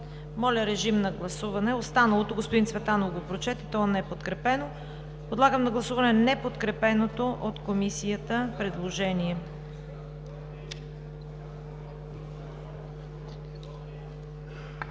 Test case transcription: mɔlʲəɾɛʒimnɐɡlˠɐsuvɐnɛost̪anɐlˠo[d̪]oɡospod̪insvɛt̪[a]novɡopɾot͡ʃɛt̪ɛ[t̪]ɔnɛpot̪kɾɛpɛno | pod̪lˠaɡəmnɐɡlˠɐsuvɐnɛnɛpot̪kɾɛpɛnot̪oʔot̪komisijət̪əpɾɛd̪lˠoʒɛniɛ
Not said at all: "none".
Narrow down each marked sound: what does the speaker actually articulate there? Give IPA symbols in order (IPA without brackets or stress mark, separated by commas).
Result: t̪, a, t̪